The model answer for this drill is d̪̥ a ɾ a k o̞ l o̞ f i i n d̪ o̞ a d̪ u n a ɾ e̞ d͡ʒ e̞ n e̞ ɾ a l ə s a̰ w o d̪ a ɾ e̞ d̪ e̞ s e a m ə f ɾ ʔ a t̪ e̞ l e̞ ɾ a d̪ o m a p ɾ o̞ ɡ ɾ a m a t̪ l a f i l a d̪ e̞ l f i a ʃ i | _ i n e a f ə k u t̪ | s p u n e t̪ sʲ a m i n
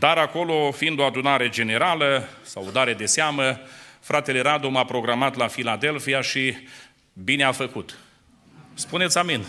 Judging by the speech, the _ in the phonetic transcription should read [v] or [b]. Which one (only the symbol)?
b